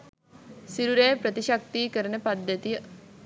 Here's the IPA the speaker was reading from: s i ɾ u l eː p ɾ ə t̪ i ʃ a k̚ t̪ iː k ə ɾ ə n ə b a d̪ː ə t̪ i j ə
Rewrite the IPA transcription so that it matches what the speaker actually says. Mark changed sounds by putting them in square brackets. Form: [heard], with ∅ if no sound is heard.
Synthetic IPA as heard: s i ɾ u [ɾ] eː p ɾ ə t̪ i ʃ a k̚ t̪ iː k ə ɾ ə n ə [p] a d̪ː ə t̪ i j ə